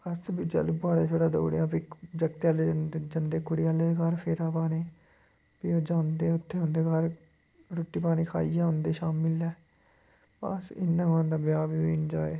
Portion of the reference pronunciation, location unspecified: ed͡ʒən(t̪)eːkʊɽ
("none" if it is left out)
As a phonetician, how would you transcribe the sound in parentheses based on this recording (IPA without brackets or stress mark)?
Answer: d̪